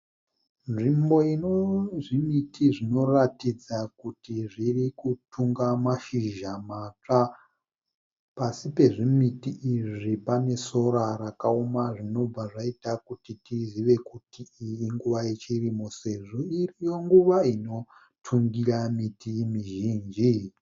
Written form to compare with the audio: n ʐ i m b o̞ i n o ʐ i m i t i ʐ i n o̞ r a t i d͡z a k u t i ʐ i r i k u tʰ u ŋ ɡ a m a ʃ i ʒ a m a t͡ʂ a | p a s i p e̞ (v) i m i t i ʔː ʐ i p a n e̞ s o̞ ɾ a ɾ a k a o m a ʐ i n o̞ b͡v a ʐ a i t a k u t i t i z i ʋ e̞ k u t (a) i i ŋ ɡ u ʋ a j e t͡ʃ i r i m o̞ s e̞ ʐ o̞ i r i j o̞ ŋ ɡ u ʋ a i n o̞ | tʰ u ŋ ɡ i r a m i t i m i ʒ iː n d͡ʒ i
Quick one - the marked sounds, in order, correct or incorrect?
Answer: incorrect: ʐ, incorrect: i

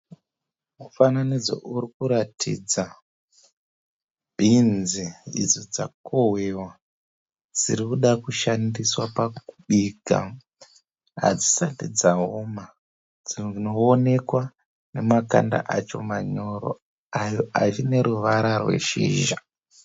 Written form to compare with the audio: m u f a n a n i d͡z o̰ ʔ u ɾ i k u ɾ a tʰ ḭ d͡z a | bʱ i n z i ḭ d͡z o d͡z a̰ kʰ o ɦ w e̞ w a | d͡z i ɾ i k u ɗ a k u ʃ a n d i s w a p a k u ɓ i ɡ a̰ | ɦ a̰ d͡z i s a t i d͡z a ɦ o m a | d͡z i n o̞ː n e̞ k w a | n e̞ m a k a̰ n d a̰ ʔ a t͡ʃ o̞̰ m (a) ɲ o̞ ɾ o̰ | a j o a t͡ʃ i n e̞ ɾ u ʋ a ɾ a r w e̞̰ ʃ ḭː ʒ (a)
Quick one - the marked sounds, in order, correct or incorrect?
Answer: correct, correct

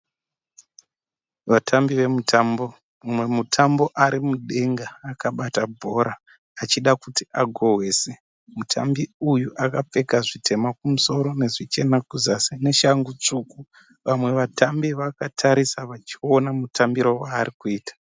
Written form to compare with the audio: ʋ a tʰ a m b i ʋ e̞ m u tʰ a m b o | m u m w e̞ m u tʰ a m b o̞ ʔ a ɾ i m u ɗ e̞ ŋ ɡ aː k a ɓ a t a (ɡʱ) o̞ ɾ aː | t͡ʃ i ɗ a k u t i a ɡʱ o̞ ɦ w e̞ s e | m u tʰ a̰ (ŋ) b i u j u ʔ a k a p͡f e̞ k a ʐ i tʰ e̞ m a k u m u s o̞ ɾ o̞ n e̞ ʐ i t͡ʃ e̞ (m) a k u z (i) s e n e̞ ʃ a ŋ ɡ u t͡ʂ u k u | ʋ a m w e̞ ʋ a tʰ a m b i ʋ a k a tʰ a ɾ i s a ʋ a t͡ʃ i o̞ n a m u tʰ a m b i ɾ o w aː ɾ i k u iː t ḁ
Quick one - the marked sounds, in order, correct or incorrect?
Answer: incorrect: bʱ, incorrect: m, incorrect: n, incorrect: a

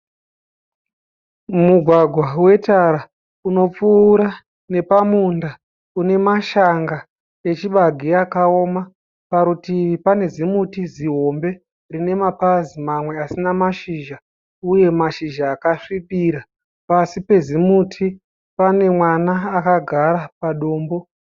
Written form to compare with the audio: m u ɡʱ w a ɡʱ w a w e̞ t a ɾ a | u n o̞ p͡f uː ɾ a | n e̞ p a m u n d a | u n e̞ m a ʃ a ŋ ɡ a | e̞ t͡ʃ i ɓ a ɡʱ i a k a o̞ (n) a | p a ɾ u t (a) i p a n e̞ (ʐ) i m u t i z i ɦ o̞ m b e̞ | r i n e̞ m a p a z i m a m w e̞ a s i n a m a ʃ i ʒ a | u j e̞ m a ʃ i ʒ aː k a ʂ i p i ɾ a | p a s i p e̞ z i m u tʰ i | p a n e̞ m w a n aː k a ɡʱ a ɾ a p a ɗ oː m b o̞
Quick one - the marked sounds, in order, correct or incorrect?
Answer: incorrect: m, incorrect: i, incorrect: z

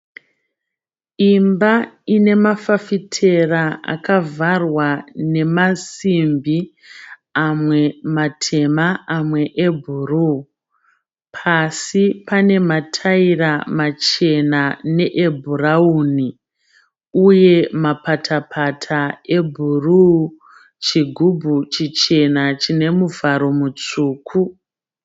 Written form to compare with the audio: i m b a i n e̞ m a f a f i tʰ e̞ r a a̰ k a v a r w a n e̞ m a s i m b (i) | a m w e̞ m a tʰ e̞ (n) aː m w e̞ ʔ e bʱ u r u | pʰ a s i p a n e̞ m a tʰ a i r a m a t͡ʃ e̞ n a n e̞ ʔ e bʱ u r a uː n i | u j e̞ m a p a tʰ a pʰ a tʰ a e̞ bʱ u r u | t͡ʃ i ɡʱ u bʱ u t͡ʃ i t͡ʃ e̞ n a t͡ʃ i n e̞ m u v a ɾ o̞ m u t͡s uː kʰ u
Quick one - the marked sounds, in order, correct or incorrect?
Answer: correct, incorrect: m

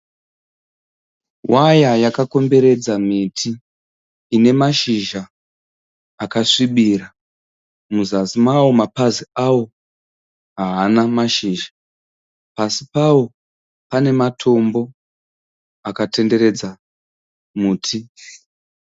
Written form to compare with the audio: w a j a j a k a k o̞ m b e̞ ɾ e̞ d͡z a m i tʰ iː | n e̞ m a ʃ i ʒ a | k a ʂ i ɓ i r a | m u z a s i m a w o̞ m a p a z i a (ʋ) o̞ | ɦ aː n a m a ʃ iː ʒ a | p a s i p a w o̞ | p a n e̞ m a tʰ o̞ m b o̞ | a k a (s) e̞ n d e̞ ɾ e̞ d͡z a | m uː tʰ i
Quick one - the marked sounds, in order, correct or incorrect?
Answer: incorrect: w, incorrect: t

